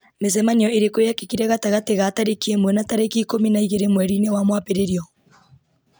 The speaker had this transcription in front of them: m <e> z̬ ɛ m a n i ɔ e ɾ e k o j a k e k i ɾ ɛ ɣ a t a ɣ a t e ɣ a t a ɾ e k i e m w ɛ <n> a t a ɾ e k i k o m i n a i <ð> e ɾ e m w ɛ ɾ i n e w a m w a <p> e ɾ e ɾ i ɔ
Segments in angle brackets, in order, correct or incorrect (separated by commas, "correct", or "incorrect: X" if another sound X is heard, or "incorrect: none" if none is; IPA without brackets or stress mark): correct, correct, incorrect: ɣ, correct